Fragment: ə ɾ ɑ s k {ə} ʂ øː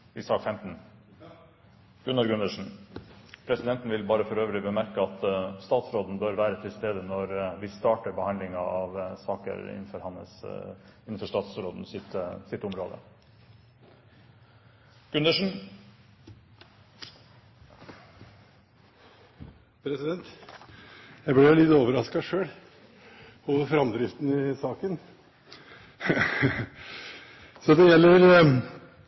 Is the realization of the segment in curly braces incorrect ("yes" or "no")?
yes